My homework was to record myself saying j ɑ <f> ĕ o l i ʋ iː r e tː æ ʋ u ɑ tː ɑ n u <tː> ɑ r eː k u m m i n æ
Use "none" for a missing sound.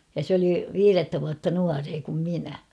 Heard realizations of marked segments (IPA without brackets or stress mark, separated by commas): s, none